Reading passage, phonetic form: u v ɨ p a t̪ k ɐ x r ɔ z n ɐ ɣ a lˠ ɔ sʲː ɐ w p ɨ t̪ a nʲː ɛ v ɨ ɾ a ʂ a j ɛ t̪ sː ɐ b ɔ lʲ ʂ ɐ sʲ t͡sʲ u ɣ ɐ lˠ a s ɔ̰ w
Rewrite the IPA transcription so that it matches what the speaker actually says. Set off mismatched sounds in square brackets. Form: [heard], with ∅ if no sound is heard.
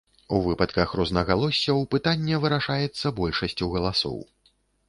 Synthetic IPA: u v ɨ p [ɐ] t̪ k ɐ x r ɔ z n ɐ ɣ a lˠ ɔ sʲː ɐ w p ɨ t̪ a nʲː ɛ v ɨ ɾ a ʂ a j ɛ t̪ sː ɐ b ɔ lʲ ʂ ɐ sʲ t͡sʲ u ɣ ɐ lˠ a s ɔ̰ w